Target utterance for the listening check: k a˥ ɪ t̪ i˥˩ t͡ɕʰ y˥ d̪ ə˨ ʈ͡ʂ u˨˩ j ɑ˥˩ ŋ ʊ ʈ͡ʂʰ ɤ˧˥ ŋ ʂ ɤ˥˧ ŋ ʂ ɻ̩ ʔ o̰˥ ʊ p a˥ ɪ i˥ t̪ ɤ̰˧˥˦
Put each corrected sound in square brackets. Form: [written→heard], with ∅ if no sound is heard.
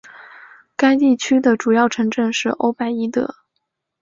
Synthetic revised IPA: k a˥ ɪ t̪ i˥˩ t͡ɕʰ y˥ d̪ ə˨ ʈ͡ʂ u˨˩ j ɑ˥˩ [ŋ→∅] ʊ ʈ͡ʂʰ ɤ˧˥ ŋ [ʂ→ʈ͡ʂ] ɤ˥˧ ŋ ʂ ɻ̩ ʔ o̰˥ ʊ p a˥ ɪ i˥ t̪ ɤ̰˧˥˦